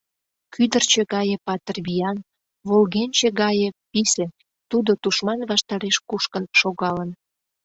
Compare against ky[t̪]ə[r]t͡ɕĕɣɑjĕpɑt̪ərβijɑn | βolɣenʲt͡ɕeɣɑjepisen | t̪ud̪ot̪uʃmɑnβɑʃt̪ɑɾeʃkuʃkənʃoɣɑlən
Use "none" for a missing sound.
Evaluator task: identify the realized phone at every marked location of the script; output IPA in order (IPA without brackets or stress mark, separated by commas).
d̪, r